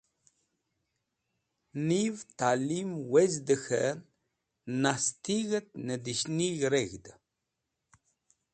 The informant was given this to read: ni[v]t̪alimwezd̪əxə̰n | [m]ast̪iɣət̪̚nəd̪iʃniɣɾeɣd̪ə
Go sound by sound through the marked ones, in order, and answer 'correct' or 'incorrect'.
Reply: correct, incorrect: n

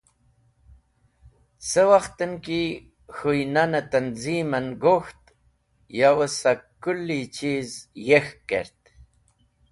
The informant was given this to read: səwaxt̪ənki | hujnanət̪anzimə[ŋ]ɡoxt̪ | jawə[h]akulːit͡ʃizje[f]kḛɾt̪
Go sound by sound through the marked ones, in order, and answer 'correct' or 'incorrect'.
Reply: incorrect: n, incorrect: s, incorrect: x

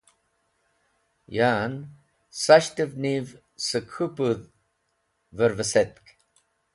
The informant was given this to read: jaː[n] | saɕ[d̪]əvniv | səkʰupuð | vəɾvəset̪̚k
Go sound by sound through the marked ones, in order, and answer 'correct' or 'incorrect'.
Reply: correct, incorrect: t̪

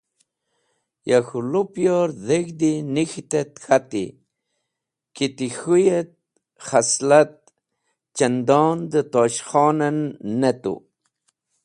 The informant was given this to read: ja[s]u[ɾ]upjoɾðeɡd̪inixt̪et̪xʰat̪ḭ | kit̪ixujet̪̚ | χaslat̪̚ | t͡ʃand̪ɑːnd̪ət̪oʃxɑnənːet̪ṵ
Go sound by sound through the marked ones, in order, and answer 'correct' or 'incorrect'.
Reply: incorrect: x, incorrect: l

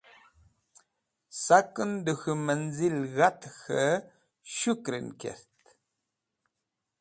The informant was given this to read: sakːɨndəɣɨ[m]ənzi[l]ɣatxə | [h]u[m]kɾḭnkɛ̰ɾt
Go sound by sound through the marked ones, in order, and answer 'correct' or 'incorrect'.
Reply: correct, correct, incorrect: ʃ, incorrect: none

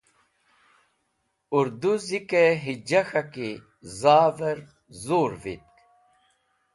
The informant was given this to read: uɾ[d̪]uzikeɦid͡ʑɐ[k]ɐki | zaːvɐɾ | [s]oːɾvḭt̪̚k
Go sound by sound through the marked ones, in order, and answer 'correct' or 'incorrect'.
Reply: correct, incorrect: x, incorrect: z

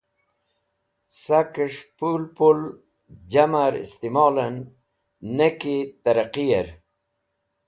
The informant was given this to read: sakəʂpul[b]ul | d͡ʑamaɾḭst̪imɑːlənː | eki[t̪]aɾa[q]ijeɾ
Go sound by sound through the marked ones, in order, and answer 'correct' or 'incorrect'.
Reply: incorrect: p, correct, correct

